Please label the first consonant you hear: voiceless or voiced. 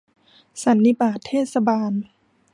voiceless